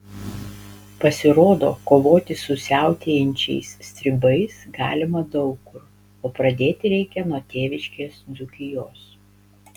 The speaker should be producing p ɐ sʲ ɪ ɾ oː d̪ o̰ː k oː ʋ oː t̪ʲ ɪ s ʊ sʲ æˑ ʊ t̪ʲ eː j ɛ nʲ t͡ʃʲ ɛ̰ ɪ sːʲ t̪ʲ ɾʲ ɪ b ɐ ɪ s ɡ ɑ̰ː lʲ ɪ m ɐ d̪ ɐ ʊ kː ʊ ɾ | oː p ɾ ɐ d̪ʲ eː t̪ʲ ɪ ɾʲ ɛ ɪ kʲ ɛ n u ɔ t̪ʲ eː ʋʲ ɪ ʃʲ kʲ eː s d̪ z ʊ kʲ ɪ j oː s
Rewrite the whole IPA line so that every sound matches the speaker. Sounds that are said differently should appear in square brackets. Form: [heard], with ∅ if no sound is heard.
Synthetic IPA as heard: p ɐ sʲ ɪ ɾ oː d̪ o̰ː k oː ʋ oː t̪ʲ ɪ s ʊ sʲ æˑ ʊ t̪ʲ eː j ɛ nʲ t͡ʃʲ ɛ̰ ɪ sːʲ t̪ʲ ɾʲ ɪ b ɐ ɪ s ɡ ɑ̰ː lʲ ɪ m ɐ d̪ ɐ ʊ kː ʊ ɾ | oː p ɾ ɐ d̪ʲ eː t̪ʲ ɪ ɾʲ ɛ ɪ kʲ ɛ n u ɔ t̪ʲ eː ʋʲ ɪ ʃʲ kʲ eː s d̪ z ʊ kʲ ɪ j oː s